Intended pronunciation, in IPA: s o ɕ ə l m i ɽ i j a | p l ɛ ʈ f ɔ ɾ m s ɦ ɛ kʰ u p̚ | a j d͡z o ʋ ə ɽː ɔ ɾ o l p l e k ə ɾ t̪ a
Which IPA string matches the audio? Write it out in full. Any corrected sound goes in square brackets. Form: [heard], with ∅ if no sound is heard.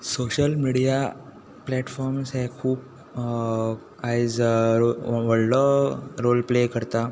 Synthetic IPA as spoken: s o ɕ ə l m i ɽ i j a | p l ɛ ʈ f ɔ ɾ m s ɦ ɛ kʰ [uː] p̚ | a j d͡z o ʋ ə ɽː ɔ ɾ o l p l e k ə ɾ t̪ a